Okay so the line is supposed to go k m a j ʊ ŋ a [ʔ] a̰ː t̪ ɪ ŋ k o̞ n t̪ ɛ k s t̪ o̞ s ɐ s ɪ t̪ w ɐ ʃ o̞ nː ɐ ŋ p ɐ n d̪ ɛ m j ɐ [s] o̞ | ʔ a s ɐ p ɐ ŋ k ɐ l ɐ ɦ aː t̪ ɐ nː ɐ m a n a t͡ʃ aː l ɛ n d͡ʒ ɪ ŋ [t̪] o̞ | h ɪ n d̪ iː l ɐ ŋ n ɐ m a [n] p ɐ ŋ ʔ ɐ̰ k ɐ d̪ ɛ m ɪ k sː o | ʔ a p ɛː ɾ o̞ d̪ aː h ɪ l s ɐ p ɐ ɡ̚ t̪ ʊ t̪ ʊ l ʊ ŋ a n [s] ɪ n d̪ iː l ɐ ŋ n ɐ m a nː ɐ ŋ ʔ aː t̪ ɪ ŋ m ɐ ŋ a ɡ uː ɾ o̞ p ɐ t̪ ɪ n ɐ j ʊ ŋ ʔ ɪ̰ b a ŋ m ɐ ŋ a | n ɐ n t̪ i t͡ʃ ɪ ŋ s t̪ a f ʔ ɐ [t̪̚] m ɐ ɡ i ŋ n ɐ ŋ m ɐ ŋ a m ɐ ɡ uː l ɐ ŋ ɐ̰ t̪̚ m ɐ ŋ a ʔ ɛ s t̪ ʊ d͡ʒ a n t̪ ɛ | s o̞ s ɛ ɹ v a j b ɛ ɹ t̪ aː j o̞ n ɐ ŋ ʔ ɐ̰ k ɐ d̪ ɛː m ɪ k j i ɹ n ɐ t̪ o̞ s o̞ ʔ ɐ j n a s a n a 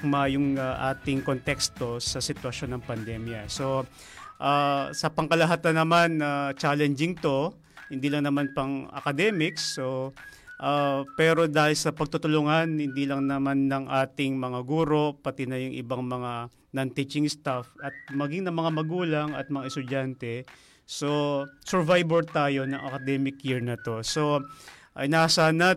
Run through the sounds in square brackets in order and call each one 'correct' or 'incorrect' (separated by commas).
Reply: correct, correct, correct, correct, incorrect, correct